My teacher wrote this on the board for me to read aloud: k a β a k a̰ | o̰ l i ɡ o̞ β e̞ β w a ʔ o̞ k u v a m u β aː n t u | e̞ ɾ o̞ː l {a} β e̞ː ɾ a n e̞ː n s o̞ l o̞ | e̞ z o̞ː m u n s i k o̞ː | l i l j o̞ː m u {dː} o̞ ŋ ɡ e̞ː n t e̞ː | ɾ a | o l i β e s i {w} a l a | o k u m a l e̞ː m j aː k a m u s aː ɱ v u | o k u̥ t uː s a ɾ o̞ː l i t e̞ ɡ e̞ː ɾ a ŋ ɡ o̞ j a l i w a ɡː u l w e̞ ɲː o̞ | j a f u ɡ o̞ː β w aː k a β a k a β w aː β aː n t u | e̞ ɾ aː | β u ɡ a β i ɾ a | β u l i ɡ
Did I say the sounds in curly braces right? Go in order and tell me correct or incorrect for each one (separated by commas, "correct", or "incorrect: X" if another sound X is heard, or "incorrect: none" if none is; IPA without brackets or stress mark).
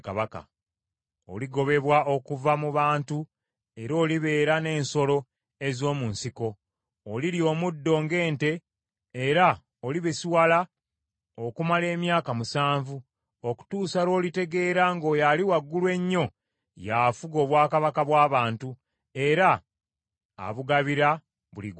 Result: incorrect: i, correct, correct